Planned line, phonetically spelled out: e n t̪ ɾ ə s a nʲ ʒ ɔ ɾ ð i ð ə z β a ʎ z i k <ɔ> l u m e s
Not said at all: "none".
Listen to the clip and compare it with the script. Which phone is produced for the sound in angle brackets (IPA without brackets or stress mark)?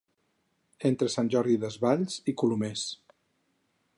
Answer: u